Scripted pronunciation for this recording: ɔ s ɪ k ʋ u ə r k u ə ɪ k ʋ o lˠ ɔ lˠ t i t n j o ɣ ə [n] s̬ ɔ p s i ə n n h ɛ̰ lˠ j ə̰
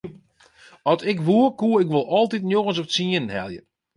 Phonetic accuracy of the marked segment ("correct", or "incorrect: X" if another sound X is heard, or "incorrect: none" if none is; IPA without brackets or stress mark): correct